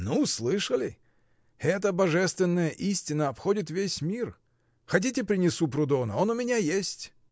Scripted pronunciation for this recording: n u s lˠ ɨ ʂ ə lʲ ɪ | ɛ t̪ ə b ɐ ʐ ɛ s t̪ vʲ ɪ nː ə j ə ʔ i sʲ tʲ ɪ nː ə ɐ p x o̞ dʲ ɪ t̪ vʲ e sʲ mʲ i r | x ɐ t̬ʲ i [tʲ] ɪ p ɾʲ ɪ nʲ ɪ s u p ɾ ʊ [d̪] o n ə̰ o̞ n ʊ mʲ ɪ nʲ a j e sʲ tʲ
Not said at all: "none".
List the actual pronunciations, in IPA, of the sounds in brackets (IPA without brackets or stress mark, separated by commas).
tʲ, d̪